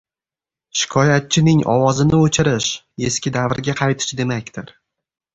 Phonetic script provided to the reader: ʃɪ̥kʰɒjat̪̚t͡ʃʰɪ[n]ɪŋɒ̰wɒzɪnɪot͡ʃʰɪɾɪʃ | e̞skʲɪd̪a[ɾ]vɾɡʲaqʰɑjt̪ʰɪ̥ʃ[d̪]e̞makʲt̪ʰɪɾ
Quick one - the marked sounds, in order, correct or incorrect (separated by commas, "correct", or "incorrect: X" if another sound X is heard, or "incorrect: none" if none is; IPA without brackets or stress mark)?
correct, incorrect: none, correct